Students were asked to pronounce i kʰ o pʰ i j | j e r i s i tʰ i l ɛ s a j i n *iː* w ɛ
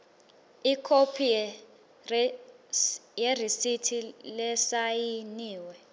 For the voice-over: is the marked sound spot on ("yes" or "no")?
yes